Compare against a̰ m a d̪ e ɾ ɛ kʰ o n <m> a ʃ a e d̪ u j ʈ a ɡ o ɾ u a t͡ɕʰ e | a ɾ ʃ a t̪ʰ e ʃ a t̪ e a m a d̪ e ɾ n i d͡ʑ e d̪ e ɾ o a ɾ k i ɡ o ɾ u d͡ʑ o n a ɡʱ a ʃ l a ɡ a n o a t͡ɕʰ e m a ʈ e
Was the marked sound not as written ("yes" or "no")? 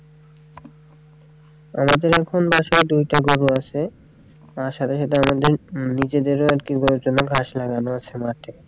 yes